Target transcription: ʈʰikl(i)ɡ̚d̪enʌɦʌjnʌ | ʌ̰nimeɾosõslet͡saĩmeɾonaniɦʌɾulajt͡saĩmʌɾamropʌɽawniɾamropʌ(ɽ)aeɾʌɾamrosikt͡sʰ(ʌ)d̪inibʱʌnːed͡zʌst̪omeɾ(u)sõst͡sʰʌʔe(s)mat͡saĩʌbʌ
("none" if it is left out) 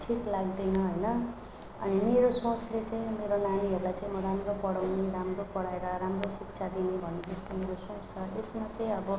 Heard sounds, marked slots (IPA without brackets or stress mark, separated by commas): a, ɽ, a, o, s